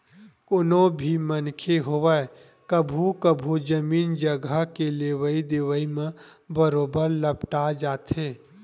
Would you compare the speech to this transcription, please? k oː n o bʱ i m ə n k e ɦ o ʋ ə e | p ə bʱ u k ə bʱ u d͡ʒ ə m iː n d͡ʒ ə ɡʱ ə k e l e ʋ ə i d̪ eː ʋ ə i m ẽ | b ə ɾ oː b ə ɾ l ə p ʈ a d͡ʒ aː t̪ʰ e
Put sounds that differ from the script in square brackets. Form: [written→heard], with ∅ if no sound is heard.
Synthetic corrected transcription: k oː n o bʱ i m ə n [k→kʰ] e ɦ o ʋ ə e | [p→k] ə bʱ u k ə bʱ u d͡ʒ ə m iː n d͡ʒ ə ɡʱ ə k e l e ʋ ə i d̪ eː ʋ ə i m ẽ | b ə ɾ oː b ə ɾ l ə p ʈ a d͡ʒ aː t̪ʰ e